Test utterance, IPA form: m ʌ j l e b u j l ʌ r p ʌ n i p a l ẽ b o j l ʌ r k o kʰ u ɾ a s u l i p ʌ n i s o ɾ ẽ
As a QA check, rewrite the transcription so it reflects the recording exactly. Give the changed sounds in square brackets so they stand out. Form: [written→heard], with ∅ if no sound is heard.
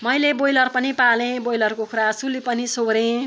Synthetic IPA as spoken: m ʌ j l e b [u→o] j l ʌ r p ʌ n i p a l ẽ b o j l ʌ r k o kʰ u ɾ a s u l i p ʌ n i s o ɾ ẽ